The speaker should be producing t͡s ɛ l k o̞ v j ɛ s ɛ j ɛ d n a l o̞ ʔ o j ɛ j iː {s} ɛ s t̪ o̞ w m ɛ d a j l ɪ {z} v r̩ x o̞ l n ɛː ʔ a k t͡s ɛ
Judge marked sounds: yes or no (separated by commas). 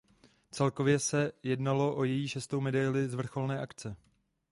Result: no, yes